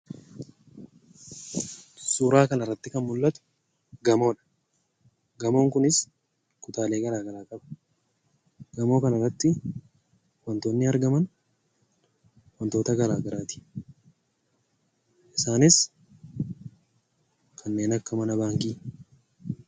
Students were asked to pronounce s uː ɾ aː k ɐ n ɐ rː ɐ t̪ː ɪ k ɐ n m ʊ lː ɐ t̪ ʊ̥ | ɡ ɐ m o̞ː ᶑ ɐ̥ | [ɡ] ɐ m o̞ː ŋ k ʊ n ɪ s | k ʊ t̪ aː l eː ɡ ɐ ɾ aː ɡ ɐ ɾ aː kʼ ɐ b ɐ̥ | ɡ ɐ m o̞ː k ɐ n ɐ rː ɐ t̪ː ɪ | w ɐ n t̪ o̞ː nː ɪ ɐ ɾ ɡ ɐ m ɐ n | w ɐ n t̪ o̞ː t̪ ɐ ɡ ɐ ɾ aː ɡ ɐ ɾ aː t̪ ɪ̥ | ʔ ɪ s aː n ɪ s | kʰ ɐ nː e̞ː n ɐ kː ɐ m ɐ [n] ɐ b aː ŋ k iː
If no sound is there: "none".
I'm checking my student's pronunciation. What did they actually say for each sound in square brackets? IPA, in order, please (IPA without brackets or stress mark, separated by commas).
ɡ, n